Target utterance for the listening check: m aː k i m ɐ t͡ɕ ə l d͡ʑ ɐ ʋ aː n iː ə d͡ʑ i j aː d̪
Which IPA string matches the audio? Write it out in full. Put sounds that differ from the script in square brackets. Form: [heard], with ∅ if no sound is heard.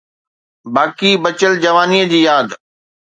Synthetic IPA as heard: [b] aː k i [b] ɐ t͡ɕ ə l d͡ʑ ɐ ʋ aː n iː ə d͡ʑ [iː] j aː d̪